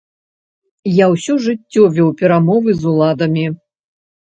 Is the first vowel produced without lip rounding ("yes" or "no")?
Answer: yes